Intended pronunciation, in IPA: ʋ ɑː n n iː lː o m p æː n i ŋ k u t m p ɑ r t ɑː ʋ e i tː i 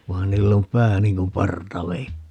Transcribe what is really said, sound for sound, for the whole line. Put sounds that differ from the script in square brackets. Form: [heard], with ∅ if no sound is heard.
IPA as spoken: ʋ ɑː n n iː lː o m p æː n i ŋ k u [∅] m p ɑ r t [ɑ] ʋ e i tː i